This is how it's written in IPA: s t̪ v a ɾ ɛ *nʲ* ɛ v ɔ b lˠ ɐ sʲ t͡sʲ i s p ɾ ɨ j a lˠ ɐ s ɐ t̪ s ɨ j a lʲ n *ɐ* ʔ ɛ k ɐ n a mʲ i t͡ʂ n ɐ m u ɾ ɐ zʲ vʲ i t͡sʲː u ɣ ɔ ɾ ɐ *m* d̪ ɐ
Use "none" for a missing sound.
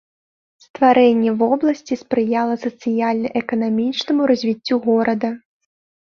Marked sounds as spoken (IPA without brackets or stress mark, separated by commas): nʲː, ɐ, none